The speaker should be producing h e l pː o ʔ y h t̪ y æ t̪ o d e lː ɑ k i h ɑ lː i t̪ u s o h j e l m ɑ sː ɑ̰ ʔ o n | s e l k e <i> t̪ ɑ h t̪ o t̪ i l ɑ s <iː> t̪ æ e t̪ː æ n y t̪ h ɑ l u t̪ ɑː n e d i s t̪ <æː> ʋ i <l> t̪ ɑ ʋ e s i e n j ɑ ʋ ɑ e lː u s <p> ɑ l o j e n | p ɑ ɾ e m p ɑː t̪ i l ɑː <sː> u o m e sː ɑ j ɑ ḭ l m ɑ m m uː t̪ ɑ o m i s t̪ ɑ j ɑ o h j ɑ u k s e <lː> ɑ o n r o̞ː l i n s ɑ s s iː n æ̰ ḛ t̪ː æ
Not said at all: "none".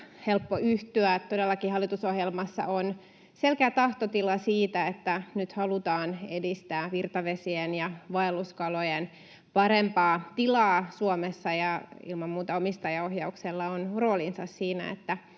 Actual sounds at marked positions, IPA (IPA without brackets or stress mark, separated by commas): æ, iː, æː, r, k, s, lː